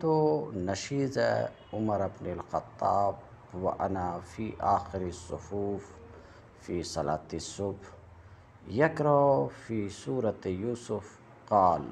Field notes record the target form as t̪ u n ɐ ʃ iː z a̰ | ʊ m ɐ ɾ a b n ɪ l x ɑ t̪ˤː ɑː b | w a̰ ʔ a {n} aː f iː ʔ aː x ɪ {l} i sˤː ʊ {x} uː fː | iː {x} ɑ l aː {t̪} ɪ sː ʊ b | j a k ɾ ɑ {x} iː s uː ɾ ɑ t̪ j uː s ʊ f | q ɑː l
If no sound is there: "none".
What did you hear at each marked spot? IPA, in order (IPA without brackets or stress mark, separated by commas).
n, ɾ, f, s, t̪, f